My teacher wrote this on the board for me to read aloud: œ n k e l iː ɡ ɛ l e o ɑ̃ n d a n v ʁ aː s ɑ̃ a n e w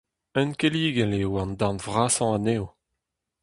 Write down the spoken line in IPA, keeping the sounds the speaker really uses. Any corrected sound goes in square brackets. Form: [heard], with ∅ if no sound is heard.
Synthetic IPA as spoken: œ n k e l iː ɡ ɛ l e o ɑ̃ n d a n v ʁ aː s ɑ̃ a n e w